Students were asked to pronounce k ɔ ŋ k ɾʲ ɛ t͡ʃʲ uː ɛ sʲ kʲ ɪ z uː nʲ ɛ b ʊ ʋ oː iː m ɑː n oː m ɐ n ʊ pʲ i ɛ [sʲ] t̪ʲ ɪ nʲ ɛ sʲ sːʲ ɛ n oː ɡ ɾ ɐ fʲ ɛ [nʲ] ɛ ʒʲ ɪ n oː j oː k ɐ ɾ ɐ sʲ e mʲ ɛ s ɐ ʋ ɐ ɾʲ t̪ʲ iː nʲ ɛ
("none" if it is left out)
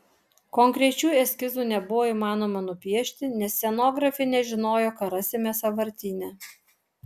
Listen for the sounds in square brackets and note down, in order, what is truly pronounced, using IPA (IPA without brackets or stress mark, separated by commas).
ʃʲ, nʲ